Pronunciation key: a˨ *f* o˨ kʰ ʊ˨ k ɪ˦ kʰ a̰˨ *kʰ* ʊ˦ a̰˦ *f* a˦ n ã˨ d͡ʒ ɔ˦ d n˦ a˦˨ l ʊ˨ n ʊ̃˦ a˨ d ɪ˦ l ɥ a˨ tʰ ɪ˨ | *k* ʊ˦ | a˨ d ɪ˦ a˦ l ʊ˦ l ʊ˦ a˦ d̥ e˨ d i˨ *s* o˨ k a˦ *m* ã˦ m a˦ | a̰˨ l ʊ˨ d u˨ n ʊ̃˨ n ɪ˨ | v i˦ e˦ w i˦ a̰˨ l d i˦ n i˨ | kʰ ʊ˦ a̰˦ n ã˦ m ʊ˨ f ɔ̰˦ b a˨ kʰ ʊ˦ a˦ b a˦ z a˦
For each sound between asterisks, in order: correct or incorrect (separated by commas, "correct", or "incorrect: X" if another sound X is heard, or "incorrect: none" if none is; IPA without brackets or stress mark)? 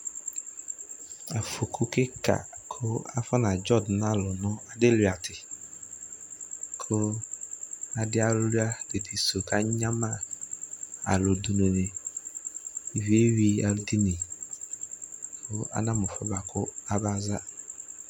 correct, correct, correct, incorrect: kʰ, correct, incorrect: ɲ